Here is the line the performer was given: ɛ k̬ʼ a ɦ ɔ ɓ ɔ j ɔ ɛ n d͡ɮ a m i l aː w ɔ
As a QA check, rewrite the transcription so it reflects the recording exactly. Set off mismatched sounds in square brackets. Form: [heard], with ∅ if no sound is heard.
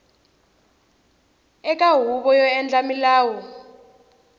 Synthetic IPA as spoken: ɛ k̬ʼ a ɦ [u] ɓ ɔ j ɔ ɛ n d͡ɮ a m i l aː w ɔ